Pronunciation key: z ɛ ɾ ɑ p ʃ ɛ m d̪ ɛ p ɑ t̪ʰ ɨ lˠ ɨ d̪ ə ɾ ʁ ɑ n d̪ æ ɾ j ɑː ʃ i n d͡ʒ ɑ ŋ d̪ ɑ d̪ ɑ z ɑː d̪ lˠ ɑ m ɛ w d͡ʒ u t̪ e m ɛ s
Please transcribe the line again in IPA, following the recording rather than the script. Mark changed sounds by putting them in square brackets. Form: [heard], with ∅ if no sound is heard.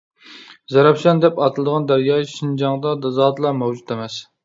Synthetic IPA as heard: z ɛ ɾ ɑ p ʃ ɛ [n] d̪ ɛ p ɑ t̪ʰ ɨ lˠ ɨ d̪ ə [∅] ʁ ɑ n d̪ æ ɾ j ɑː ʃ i n d͡ʒ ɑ ŋ d̪ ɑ d̪ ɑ z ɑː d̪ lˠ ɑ m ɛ w d͡ʒ u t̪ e m ɛ s